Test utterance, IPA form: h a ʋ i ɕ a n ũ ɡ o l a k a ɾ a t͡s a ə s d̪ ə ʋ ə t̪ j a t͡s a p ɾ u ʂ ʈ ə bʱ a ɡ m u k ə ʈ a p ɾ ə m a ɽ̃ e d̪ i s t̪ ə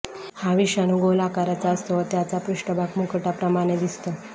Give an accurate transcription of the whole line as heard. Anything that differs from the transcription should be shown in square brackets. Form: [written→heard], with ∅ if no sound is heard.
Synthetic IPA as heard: h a ʋ i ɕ a n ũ ɡ o l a k a ɾ a t͡s a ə s [d̪→t̪] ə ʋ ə t̪ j a t͡s a p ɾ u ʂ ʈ ə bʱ a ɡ m u k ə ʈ a p ɾ ə m a ɽ̃ e d̪ i s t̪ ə

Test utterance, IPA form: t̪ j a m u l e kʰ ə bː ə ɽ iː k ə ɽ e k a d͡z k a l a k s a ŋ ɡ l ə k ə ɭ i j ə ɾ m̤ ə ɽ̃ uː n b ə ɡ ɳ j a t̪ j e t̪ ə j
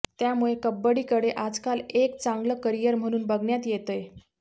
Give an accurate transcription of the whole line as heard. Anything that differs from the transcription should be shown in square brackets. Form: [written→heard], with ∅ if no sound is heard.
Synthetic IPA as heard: t̪ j a m u [l→ɭ] e [kʰ→k] ə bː ə ɽ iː k ə ɽ e [k→ʔ] a d͡z k a l [a→e] k [s→t͡s] a ŋ ɡ l ə k ə [ɭ→ɾ] i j ə ɾ m̤ ə ɽ̃ uː n b ə ɡ ɳ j a t̪ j e t̪ ə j

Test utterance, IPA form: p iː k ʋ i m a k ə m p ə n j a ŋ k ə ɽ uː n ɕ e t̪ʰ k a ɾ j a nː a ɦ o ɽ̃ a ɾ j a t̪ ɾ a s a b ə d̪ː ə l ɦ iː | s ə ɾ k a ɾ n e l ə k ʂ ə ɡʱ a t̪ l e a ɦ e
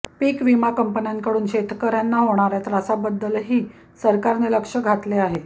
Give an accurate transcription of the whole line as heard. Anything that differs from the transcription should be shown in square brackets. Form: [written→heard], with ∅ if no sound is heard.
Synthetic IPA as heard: p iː k ʋ i m a k ə m p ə n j a ŋ k ə ɽ uː n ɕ e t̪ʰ k [a→ə] ɾ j a nː a ɦ o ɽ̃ a ɾ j a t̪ ɾ a s a b ə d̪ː ə l ɦ iː | s ə ɾ k a ɾ n e l ə k ʂ ə ɡʱ a t̪ l e a ɦ e

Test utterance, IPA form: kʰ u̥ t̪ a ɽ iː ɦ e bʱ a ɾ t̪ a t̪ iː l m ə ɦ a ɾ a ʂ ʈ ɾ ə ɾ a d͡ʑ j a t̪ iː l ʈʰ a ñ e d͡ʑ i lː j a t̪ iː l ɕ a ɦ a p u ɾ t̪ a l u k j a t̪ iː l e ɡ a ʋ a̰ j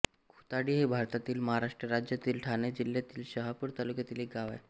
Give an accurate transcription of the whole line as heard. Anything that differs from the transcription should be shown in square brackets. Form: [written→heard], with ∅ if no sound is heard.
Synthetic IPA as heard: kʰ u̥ t̪ a ɽ iː ɦ e bʱ a ɾ t̪ a t̪ iː l m ə ɦ a ɾ a ʂ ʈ ɾ ə ɾ a d͡ʑ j a t̪ iː l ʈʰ a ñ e d͡ʑ i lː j a t̪ iː l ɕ [a→ə] ɦ a p u ɾ t̪ a l u k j a t̪ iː l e ɡ a ʋ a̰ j

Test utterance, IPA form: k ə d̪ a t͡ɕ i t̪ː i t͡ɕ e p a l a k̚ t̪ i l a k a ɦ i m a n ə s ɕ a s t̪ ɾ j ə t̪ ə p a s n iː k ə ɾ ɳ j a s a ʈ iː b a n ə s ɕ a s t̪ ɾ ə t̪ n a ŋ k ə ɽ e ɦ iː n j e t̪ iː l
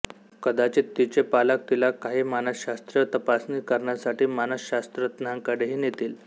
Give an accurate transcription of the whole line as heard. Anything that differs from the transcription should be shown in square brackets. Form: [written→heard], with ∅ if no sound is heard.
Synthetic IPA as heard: k ə d̪ a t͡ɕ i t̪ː i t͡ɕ e p a l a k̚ t̪ i l a k a ɦ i m a n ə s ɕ a s t̪ ɾ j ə t̪ ə p a s n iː k ə ɾ ɳ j a s a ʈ iː [b→m] a n ə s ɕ a s t̪ ɾ ə t̪ n a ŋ k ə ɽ e ɦ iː n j e t̪ iː l

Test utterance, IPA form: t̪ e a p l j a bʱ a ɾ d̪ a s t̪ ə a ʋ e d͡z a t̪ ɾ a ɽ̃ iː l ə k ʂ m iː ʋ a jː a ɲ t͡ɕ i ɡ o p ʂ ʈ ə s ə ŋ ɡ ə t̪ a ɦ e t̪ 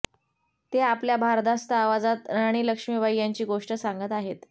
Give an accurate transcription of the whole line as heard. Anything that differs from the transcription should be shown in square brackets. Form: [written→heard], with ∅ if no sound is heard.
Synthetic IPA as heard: t̪ e a p l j a bʱ a ɾ d̪ a s t̪ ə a ʋ [e→a] d͡z a t̪ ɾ a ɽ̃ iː l ə k ʂ m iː ʋ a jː a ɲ t͡ɕ [i→iː] ɡ o [p→∅] ʂ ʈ ə s [ə→a] ŋ ɡ ə t̪ a ɦ e t̪

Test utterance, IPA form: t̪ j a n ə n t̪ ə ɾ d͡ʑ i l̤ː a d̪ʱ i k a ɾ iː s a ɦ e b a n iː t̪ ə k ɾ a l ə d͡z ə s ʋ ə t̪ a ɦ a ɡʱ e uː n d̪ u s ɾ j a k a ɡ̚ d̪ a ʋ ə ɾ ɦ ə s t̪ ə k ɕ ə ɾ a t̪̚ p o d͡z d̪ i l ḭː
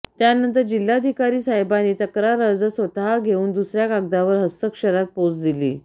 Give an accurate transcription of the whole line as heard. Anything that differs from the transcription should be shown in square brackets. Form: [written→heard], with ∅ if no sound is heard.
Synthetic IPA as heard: t̪ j a n ə n t̪ ə ɾ d͡ʑ i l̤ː a d̪ʱ i k a ɾ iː s a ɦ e b a n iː t̪ ə k ɾ a [l→ɾ] ə d͡z ə s ʋ ə t̪ a ɦ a ɡʱ e uː n d̪ u s ɾ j a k a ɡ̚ d̪ a ʋ ə ɾ ɦ ə s t̪ ə k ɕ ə ɾ a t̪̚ p o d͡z d̪ i l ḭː

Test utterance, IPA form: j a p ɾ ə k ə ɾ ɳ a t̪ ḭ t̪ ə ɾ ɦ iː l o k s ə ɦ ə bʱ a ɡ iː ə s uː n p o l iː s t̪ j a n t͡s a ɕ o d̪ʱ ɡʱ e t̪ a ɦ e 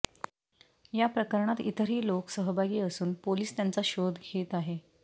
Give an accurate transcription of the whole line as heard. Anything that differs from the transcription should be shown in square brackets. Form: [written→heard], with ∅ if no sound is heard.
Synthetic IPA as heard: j a p ɾ ə k ə ɾ ɳ a t̪ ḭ t̪ ə ɾ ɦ iː l o k s ə ɦ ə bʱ a ɡ iː ə s uː n p o l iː s t̪ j a n t͡s a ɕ o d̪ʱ ɡʱ e t̪ a ɦ e

